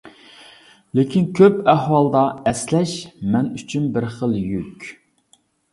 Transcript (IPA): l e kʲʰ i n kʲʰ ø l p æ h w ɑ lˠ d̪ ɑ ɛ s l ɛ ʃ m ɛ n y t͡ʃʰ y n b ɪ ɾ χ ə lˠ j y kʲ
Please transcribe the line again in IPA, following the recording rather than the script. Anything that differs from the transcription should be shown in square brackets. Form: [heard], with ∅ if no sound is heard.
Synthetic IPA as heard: l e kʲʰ i n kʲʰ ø [∅] p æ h w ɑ lˠ d̪ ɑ ɛ s l ɛ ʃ m ɛ n y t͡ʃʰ y n b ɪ ɾ χ ə lˠ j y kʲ